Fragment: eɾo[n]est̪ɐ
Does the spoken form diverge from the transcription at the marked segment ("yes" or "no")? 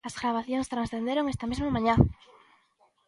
yes